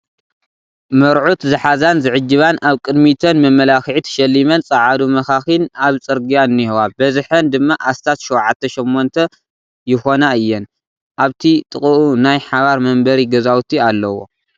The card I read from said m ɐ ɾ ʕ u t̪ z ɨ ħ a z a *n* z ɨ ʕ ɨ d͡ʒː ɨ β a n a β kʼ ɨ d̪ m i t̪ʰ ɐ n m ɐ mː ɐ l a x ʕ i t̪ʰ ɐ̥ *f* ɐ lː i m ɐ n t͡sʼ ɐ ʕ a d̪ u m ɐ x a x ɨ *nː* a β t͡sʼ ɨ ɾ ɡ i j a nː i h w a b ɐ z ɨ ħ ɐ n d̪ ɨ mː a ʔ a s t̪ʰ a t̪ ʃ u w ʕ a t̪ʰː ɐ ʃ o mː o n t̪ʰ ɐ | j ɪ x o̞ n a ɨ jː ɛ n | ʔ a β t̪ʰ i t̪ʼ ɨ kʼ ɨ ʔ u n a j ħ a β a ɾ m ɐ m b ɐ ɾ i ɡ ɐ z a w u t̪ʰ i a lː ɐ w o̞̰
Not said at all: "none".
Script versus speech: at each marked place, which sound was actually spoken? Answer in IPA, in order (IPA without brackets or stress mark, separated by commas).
n, ʃ, n